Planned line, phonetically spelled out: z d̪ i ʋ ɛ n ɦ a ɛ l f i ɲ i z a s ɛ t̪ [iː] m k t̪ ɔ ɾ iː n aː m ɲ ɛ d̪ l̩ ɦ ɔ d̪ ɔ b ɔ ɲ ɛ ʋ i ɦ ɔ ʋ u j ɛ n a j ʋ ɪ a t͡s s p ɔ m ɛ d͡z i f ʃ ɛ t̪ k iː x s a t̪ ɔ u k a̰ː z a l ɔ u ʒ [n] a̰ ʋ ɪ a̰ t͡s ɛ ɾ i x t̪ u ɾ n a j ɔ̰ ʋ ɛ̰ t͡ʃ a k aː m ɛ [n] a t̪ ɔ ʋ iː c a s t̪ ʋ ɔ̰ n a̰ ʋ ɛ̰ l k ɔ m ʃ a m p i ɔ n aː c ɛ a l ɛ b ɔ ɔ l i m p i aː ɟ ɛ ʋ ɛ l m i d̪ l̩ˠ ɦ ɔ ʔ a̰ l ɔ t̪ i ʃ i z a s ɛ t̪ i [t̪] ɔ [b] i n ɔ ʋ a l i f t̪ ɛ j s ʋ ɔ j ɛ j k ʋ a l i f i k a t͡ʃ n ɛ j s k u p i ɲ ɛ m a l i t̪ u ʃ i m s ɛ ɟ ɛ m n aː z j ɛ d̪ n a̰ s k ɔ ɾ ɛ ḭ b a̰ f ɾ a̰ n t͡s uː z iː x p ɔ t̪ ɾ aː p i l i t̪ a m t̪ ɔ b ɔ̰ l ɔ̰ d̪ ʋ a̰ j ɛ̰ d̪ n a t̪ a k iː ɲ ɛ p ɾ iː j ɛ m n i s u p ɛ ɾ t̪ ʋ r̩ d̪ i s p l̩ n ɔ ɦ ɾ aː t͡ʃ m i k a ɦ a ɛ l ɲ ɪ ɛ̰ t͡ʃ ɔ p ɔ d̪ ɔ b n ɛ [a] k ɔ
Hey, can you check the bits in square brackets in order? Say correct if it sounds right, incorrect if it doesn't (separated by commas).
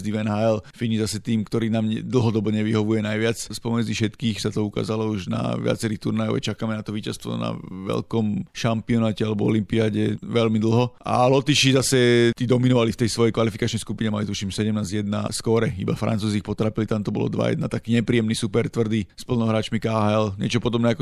correct, correct, correct, incorrect, incorrect, correct